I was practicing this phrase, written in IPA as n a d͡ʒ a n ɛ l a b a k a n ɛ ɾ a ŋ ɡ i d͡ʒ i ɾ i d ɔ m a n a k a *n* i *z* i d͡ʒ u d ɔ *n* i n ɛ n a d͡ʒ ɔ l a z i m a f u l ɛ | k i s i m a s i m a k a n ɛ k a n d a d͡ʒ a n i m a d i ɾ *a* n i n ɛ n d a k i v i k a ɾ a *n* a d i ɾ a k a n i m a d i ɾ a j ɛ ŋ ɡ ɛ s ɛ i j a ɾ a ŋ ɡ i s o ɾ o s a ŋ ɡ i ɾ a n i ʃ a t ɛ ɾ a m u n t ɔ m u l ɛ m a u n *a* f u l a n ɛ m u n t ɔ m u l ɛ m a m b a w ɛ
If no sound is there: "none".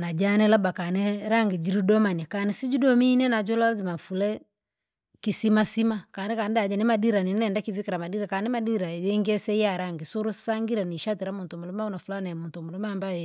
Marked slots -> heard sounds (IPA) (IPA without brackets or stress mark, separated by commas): n, s, m, a, m, a